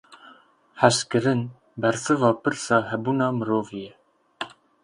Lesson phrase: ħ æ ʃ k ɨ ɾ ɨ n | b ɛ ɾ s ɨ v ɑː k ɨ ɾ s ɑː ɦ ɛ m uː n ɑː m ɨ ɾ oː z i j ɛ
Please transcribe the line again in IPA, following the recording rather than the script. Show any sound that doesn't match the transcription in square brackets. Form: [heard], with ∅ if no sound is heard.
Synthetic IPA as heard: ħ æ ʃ k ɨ ɾ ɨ n | b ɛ ɾ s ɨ v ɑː [p] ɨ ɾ s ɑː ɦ ɛ [b] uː n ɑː m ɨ ɾ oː [v] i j ɛ